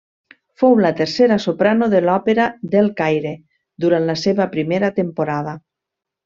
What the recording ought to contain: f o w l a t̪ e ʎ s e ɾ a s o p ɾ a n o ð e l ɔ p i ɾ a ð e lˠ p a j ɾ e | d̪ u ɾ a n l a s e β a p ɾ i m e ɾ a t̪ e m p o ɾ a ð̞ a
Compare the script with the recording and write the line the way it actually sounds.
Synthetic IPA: f o w l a t̪ e ɾ s e ɾ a s o p ɾ a n o ð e l ɔ p e ɾ a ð e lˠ k a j ɾ e | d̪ u ɾ a n l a s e β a p ɾ i m e ɾ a t̪ e m p o ɾ a ð̞ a

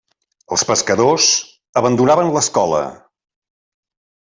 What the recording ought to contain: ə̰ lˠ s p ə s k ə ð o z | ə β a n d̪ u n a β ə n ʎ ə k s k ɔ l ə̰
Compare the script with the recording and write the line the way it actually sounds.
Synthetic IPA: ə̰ lˠ s p ə s k ə ð o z | ə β ə n d̪ u n a β ə n l ə s k ɔ l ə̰

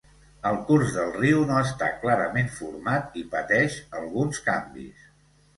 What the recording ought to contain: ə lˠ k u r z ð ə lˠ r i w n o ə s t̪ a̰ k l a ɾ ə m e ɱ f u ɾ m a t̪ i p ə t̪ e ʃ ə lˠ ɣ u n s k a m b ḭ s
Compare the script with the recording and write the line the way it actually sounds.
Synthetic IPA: ə lˠ k u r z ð ə lˠ r i w n o ə s t̪ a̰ k l a ɾ ə m e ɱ f u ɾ m a t̪ i p ə t̪ ɛ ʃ ə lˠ ɣ u n s k a m b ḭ s

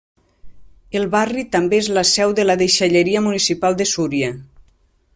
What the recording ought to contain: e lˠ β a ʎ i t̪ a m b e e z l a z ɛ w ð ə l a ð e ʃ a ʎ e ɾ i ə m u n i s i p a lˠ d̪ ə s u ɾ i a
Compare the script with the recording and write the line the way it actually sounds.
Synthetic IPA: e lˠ β a r i t̪ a m b e e z l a s ɛ w ð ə l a ð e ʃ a ʎ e ɾ i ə m u n i s i p a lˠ d̪ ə s u ɾ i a

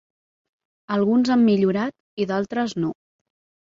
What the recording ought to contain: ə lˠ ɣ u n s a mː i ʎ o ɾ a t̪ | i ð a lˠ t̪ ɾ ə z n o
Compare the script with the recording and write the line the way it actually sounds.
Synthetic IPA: ə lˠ ɣ u n z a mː i ʎ u ɾ a t̪ | i ð a lˠ t̪ ɾ ə z n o

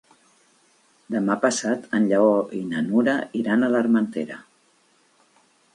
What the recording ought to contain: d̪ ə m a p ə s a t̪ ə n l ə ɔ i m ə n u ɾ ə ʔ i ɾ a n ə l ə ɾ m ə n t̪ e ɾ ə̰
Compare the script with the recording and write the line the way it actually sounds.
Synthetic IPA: d̪ ə m a p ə s a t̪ ə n ʎ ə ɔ i n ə n u ɾ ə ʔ i ɾ a n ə l ə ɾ m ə n t̪ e ɾ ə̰

